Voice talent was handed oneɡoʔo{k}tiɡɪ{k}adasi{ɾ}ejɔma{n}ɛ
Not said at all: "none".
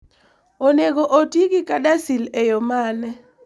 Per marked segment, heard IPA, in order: none, k, l, n

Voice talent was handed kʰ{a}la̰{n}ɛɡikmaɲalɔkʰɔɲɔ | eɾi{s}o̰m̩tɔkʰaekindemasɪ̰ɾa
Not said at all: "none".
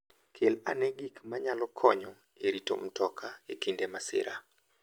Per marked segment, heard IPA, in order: e, n, t

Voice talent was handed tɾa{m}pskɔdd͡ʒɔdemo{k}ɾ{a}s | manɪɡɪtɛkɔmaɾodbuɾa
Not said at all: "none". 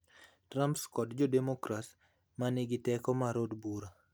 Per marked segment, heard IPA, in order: m, k, a

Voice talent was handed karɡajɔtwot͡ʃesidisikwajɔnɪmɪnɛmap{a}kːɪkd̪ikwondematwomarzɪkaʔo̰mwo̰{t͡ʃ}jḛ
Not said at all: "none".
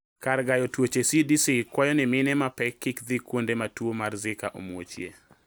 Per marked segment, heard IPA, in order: ɛ, t͡ʃ

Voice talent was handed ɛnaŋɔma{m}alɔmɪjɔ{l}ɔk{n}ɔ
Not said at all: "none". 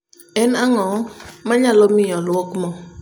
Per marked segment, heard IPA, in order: ɲ, l, m

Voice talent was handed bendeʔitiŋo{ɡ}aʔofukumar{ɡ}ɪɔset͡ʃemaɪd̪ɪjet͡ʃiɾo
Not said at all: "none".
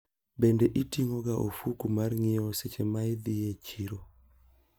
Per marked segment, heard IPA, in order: ɡ, ŋ

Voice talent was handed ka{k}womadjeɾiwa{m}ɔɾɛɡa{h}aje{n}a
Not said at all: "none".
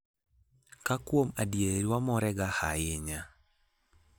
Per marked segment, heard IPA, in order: k, m, h, ɲ

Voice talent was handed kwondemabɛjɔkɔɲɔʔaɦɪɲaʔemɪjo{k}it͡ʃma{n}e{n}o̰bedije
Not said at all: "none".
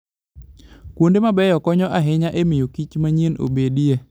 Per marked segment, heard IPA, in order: k, ɲ, n

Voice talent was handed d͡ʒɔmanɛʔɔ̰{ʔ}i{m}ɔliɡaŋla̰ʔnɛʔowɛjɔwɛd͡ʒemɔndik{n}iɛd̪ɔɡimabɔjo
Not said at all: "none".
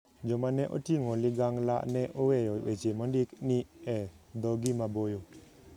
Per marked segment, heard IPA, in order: t, ŋ, n

